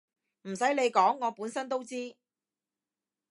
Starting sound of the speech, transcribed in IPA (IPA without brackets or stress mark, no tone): m̩